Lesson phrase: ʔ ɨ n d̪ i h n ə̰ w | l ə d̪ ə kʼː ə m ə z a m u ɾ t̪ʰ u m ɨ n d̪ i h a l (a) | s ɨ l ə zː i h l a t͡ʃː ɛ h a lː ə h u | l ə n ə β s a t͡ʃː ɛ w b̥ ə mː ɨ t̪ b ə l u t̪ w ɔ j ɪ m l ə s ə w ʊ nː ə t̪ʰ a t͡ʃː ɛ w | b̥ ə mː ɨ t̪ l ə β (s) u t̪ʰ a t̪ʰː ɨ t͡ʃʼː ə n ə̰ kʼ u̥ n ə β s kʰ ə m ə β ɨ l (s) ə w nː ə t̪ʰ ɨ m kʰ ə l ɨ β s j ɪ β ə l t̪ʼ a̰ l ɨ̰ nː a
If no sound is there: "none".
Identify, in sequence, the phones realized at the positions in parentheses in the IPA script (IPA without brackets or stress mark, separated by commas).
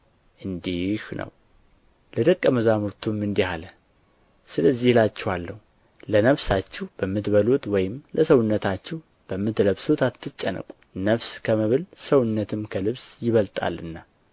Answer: ə, s, s